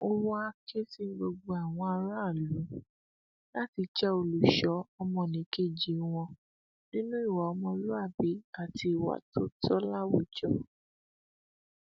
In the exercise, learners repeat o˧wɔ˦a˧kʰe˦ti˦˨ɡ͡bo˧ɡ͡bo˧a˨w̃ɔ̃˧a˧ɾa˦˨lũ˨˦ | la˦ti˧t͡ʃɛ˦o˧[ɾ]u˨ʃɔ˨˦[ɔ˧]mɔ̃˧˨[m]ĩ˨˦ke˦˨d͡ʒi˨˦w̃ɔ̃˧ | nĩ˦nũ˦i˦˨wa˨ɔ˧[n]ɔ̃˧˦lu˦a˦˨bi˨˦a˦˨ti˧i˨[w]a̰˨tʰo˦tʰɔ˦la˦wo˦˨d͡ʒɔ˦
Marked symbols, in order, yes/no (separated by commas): no, yes, no, no, yes